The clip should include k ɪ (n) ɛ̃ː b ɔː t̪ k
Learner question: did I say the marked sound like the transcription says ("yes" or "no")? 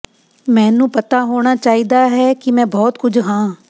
no